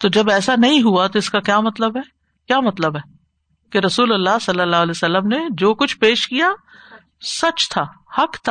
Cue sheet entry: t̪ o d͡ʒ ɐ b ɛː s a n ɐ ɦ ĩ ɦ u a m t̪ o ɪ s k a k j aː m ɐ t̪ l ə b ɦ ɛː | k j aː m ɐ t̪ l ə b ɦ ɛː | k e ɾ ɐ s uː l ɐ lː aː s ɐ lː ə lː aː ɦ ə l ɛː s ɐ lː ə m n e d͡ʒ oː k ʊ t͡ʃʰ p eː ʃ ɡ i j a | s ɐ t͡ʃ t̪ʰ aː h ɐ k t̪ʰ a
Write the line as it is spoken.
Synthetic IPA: t̪ o d͡ʒ ɐ b ɛː s a n ɐ ɦ ĩ ɦ u a t̪ o ɪ s k a k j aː m ɐ t̪ l ə b ɦ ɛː | k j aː m ɐ t̪ l ə b ɦ ɛː | k e ɾ ɐ s uː l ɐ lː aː s ɐ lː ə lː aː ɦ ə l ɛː s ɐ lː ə m n e d͡ʒ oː k ʊ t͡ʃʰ p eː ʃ k i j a | s ɐ t͡ʃ t̪ʰ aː h ɐ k t̪ʰ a